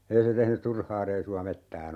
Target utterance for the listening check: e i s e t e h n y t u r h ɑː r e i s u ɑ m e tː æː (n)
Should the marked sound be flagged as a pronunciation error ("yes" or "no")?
no